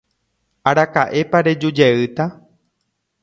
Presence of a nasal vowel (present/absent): absent